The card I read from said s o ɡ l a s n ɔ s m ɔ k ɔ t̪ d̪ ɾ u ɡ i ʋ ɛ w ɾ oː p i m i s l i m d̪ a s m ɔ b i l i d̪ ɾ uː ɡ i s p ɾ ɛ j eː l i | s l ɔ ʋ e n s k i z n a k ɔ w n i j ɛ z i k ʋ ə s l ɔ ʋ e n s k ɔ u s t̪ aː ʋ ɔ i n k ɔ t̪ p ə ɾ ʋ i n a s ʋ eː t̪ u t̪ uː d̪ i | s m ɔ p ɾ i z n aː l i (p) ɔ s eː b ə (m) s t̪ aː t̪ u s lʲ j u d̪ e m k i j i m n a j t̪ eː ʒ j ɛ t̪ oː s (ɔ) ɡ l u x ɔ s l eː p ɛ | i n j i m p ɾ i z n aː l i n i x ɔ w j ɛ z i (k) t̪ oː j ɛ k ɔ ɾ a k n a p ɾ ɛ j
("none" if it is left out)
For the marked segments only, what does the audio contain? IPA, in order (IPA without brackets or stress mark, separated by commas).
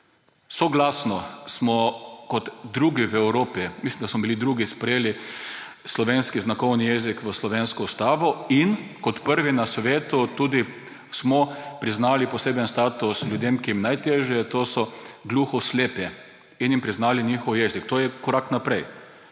p, n, ɔ, k